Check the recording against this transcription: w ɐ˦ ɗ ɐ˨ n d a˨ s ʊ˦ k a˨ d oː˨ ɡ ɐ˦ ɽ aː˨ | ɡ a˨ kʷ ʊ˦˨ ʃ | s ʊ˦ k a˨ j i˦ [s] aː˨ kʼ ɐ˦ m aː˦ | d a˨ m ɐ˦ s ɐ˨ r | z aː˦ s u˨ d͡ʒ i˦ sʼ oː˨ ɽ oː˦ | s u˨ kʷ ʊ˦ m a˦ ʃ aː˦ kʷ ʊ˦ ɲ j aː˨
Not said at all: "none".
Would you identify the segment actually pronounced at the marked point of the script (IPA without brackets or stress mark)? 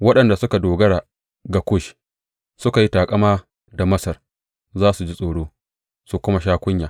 t